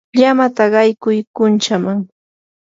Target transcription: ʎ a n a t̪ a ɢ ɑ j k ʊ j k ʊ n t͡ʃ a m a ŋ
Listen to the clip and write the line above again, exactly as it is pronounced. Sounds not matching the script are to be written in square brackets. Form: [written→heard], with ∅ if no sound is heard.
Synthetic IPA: ʎ a [n→m] a t̪ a ɢ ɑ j k ʊ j k ʊ n t͡ʃ a m a ŋ